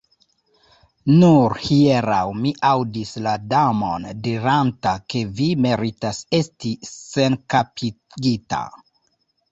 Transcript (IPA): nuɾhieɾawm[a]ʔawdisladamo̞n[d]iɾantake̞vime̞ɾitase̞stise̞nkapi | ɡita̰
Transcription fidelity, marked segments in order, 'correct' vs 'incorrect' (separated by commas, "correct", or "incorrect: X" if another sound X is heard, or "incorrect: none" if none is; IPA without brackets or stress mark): incorrect: i, correct